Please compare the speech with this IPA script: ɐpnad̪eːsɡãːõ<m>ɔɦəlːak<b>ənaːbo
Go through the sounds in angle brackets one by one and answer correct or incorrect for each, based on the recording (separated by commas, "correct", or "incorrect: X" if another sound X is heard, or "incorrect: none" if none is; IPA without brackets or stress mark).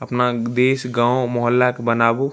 correct, correct